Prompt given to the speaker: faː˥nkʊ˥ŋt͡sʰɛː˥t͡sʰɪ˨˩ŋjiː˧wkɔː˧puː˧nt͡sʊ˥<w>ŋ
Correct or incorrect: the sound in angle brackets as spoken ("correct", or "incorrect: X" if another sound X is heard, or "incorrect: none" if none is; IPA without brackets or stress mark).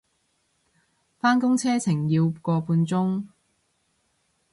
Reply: incorrect: none